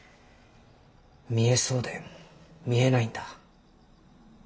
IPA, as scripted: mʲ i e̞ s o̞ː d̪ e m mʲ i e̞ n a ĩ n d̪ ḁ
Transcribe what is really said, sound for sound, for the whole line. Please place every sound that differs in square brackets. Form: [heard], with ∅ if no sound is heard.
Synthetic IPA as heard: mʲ i e̞ s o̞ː d̪ e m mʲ i e̞ n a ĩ n d̪ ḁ